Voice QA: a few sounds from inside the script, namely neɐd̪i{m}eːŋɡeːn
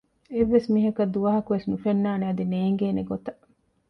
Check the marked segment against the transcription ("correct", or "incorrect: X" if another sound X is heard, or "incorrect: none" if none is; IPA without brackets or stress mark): incorrect: n